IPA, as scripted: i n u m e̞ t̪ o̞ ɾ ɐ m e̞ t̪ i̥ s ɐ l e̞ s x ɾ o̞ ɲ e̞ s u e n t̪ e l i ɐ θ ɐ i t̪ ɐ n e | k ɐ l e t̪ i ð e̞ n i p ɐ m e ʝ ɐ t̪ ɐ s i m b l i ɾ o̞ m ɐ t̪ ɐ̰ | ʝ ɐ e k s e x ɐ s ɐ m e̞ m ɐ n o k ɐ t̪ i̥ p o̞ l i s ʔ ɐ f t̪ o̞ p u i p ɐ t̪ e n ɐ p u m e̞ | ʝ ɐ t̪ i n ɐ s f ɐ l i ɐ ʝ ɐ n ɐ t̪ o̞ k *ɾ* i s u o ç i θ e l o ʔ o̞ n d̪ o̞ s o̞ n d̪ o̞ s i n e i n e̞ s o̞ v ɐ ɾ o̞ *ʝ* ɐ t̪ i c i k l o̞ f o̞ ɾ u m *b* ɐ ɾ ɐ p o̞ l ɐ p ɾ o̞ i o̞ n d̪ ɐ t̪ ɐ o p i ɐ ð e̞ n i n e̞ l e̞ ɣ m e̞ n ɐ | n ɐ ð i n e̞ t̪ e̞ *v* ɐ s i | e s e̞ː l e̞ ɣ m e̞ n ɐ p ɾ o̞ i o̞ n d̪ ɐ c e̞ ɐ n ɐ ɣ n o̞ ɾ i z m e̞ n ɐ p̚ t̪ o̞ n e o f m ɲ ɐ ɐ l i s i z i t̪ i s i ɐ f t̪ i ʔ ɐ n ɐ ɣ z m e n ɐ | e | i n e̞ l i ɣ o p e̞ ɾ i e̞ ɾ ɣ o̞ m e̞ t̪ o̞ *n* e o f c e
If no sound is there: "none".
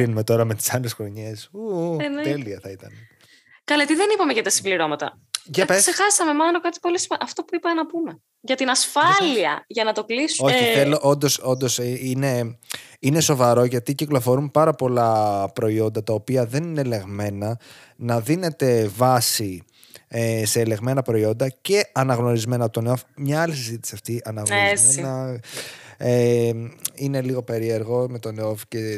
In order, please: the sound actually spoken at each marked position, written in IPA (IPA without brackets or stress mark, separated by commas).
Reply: l, ʝ, p, v, n